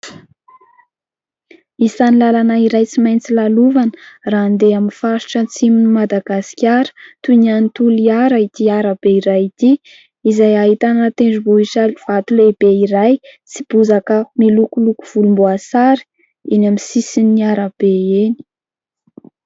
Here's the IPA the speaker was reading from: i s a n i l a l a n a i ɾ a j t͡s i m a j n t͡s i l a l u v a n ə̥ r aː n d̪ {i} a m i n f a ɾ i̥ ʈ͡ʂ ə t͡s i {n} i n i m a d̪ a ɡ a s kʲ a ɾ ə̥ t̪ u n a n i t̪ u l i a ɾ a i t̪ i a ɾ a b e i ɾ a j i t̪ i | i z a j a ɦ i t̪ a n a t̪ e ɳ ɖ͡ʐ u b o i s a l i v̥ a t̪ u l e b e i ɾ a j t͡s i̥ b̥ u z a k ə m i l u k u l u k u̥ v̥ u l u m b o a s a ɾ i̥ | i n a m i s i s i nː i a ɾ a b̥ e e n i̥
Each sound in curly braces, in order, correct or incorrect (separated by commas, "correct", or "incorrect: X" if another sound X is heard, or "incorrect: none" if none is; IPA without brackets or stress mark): incorrect: e, incorrect: m